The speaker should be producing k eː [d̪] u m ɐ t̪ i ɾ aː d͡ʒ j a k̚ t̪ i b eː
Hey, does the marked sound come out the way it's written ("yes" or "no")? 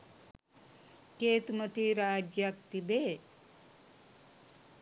no